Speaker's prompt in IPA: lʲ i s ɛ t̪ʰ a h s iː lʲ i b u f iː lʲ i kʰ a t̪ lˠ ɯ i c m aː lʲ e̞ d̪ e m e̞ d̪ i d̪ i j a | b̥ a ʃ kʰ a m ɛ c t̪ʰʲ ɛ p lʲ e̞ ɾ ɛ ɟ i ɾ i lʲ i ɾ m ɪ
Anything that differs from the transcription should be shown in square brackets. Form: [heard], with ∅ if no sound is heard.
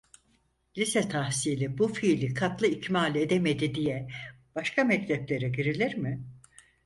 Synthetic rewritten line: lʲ i s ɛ t̪ʰ a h s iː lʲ i b u f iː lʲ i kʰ a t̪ lˠ ɯ i c m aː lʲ e̞ d̪ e m e̞ d̪ i d̪ i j [ɛ] | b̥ a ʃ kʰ a m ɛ c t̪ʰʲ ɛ p lʲ e̞ ɾ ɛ ɟ i ɾ i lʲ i ɾ m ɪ